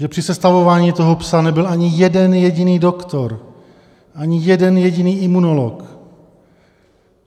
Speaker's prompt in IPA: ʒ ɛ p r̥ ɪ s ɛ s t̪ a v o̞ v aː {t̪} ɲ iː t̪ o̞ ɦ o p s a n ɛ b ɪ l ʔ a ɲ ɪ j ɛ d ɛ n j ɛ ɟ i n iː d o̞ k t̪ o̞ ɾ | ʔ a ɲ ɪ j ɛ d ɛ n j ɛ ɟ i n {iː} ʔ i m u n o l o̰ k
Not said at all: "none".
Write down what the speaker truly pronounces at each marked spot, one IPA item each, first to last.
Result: none, iː

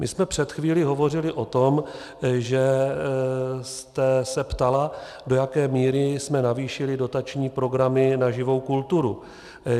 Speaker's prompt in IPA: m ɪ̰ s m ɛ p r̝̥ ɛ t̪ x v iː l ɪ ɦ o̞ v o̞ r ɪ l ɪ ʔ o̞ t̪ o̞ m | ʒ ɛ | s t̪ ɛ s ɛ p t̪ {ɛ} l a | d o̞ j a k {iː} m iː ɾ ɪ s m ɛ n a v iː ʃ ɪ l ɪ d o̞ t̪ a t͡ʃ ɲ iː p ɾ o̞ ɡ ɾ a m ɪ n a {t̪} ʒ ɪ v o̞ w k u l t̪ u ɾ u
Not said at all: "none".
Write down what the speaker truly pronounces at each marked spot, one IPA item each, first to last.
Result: a, ɛː, none

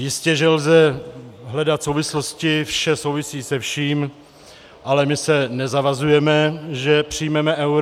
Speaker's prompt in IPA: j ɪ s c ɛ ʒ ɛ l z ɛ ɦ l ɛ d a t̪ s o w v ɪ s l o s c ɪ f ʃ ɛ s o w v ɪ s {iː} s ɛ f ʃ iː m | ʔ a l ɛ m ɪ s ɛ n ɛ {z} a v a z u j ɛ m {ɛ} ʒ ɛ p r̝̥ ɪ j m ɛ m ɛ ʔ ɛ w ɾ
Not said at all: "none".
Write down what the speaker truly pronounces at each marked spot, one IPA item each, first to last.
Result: iː, z, ɛ

